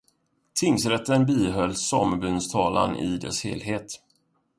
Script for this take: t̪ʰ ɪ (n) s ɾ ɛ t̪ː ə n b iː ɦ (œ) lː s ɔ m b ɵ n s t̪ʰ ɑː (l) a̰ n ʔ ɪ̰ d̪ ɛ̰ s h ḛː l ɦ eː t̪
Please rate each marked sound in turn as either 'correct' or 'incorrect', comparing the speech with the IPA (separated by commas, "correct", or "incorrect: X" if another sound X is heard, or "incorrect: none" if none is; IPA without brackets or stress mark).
incorrect: ŋ, correct, correct